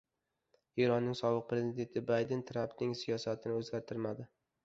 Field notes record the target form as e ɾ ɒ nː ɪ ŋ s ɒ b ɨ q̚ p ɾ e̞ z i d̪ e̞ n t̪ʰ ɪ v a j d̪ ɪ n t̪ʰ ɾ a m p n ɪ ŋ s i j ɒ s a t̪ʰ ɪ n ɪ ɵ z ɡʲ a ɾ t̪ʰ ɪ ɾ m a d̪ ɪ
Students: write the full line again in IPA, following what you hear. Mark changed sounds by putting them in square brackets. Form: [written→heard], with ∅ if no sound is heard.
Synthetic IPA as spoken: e ɾ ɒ nː ɪ ŋ s ɒ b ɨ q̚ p ɾ e̞ z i d̪ e̞ n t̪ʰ ɪ [v→b] a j d̪ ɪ n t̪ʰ ɾ a m p n ɪ ŋ s i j ɒ s a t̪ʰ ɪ n ɪ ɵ z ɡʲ a ɾ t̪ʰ ɪ ɾ m a d̪ ɪ